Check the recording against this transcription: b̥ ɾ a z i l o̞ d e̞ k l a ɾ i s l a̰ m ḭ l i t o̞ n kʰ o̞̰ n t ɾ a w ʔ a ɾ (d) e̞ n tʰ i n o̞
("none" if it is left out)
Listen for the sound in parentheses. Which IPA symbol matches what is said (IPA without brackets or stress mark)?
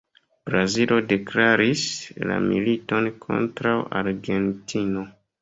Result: ɡ